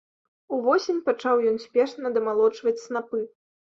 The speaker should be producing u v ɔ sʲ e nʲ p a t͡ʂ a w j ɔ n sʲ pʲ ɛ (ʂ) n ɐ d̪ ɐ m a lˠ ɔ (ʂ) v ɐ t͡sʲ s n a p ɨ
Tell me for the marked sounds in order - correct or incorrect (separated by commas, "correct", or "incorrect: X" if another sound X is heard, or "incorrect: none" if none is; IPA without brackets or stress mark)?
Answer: correct, incorrect: t͡ʂ